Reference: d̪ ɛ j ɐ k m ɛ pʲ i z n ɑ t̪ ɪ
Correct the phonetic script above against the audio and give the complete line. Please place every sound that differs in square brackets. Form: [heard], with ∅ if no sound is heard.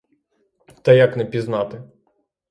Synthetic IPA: [t̪] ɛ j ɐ k [n] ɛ pʲ i z n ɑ t̪ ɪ